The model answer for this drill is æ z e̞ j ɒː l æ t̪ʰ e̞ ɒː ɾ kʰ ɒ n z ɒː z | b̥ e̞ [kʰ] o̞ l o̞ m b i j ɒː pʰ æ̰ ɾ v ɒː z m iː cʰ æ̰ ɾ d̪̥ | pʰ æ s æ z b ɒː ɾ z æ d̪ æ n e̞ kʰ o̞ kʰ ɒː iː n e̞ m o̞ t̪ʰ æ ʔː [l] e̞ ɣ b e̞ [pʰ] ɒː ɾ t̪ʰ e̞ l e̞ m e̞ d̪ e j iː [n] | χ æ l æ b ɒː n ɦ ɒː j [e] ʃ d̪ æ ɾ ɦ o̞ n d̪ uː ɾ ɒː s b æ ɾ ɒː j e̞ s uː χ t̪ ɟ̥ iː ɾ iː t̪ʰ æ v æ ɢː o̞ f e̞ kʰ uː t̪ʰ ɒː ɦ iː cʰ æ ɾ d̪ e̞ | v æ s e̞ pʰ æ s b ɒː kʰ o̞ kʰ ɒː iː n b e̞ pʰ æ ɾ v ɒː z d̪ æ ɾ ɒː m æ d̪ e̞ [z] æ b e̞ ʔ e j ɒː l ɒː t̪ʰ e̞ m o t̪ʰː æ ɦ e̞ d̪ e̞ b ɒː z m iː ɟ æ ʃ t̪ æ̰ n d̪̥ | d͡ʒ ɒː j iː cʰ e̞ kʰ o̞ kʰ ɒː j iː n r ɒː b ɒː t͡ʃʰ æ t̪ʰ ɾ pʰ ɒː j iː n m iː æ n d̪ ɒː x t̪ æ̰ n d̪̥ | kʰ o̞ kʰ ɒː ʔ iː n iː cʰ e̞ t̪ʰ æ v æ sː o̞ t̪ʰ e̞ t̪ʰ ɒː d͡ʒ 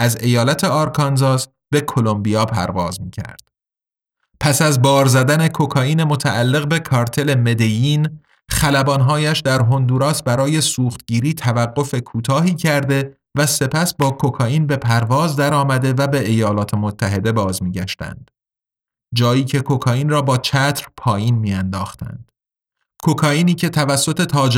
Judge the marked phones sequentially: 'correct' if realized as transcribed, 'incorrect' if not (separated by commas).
correct, incorrect, incorrect, correct, incorrect, incorrect